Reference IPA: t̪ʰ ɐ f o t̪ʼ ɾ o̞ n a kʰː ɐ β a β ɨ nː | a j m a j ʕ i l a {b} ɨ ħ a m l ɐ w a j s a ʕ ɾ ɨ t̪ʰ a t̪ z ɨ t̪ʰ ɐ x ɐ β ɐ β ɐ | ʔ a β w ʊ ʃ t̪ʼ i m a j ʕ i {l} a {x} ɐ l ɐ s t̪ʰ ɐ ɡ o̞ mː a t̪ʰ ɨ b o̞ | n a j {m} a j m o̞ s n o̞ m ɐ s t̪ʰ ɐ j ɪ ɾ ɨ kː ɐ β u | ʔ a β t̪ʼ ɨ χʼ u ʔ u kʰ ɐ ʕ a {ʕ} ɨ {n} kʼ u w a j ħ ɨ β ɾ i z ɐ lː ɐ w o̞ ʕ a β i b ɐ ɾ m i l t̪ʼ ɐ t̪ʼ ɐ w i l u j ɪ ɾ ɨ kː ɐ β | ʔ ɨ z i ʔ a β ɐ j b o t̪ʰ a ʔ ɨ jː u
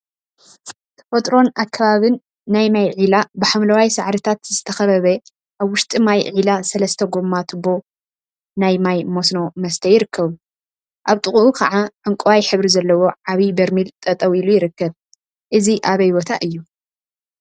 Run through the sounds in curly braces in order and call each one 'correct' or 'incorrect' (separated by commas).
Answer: correct, correct, incorrect, correct, correct, incorrect